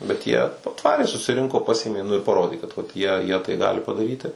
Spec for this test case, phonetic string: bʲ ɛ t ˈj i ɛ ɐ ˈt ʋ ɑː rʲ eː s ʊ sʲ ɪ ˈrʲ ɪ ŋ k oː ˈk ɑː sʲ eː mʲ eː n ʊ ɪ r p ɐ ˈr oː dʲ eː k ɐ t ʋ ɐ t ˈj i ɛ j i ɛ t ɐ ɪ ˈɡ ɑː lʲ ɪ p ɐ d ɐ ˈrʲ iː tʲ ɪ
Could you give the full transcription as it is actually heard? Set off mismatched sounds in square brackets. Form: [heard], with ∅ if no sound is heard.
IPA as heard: bʲ ɛ t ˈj i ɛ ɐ ˈt ʋ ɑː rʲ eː s ʊ sʲ ɪ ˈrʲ ɪ ŋ k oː [ˈp] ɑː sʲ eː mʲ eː n ʊ ɪ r p ɐ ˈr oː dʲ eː k ɐ t ʋ ɐ t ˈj i ɛ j i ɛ t ɐ ɪ ˈɡ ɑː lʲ ɪ p ɐ d ɐ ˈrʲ iː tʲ ɪ